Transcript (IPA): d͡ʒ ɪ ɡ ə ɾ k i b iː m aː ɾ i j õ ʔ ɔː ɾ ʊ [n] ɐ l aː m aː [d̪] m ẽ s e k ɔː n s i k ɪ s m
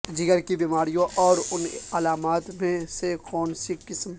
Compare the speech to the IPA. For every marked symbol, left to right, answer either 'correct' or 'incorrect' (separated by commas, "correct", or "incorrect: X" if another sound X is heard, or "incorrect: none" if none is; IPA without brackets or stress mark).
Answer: correct, incorrect: t̪